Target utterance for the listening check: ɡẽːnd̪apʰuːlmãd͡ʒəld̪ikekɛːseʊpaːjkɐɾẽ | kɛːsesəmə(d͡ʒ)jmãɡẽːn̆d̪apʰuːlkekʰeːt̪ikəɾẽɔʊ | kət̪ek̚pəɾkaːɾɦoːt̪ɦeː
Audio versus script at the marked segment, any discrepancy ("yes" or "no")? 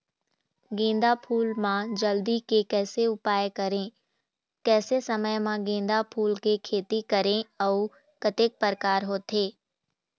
yes